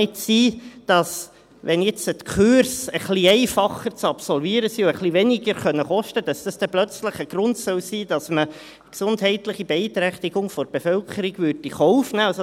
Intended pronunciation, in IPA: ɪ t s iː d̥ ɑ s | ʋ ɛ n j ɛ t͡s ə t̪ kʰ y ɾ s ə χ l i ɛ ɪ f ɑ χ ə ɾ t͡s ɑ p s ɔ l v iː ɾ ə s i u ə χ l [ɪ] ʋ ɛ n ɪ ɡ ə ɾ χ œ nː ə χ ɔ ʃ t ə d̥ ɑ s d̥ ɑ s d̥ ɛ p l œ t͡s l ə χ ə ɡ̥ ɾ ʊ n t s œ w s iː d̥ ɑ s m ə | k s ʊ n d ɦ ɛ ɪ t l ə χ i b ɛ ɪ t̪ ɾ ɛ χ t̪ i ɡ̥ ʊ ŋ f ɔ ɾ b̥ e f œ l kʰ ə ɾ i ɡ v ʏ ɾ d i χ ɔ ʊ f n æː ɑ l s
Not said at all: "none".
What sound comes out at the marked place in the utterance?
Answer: i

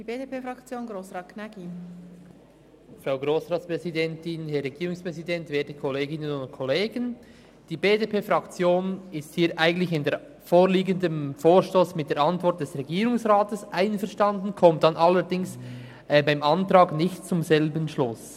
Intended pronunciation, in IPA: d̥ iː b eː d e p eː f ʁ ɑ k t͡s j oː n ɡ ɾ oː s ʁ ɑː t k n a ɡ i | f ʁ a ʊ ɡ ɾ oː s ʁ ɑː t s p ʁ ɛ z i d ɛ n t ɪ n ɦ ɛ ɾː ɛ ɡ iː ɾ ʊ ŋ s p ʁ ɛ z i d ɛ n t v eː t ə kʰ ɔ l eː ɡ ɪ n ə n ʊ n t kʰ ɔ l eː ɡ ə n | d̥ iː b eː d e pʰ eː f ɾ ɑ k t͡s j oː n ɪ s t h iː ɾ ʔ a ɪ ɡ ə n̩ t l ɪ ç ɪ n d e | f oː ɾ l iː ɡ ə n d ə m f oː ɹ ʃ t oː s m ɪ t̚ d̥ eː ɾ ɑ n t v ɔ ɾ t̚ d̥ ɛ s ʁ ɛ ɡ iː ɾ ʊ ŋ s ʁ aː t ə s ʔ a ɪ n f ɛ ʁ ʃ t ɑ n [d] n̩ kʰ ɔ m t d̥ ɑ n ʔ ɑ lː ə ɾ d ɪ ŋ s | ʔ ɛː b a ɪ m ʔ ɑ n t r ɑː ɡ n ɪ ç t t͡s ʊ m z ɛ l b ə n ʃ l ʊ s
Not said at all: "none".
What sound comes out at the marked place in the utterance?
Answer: d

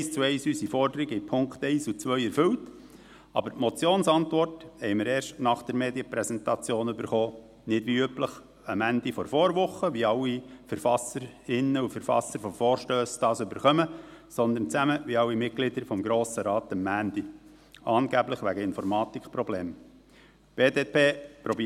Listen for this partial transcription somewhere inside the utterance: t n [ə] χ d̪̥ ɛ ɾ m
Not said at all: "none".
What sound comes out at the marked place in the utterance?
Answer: ɑ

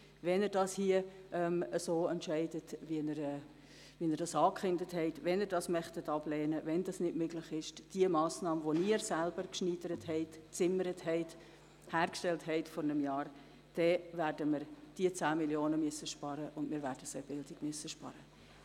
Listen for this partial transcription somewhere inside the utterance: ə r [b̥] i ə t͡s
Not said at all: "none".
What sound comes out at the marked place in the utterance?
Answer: d̥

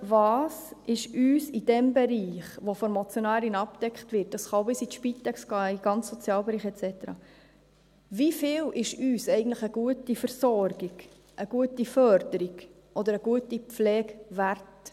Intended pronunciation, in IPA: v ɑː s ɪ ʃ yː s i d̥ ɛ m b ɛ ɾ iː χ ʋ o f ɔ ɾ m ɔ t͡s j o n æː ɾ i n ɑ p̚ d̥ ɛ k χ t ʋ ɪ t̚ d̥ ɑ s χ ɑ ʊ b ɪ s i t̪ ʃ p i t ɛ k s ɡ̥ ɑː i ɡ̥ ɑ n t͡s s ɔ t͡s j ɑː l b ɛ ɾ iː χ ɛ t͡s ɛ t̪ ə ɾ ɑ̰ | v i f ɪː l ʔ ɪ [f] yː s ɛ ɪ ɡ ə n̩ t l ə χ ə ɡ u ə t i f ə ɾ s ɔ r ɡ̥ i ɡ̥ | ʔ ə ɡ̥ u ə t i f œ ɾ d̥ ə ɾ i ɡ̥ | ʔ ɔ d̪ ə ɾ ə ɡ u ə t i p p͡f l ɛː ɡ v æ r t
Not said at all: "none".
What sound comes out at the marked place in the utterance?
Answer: ʃ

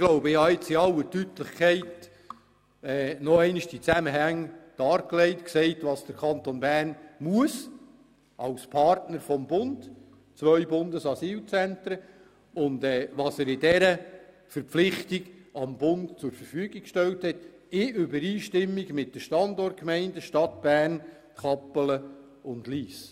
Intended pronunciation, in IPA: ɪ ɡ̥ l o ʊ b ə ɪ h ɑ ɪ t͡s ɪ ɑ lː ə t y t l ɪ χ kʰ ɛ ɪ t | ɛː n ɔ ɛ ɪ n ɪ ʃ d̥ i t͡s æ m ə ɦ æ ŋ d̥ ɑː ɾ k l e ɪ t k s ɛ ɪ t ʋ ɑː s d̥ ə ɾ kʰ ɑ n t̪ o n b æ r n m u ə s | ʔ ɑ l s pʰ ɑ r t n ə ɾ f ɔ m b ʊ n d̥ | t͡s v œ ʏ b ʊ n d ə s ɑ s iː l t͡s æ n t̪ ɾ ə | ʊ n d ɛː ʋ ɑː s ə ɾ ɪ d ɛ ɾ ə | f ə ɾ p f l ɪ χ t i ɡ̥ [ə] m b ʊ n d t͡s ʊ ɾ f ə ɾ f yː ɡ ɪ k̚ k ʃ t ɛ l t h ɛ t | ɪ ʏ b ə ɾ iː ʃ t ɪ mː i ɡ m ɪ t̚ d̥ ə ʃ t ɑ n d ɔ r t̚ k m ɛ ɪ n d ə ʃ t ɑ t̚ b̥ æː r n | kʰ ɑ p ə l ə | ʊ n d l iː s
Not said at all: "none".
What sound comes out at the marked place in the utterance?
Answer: ɑ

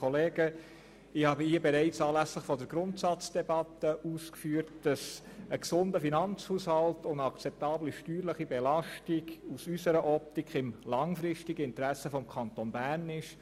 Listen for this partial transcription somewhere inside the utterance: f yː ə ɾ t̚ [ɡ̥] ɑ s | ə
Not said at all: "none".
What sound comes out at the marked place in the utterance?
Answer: d̥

